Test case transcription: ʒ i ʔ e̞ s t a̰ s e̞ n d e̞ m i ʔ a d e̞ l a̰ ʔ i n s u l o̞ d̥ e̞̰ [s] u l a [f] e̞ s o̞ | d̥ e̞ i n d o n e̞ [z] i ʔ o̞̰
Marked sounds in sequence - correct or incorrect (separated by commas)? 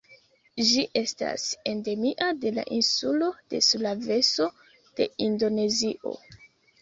correct, incorrect, correct